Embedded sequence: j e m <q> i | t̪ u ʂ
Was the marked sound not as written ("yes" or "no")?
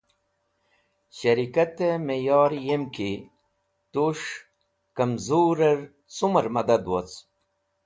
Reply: yes